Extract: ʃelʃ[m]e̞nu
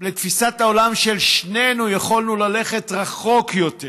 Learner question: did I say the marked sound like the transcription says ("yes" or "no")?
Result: no